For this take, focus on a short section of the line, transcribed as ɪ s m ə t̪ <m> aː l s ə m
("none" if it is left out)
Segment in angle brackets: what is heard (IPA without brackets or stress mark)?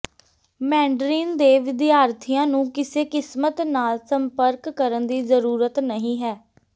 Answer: n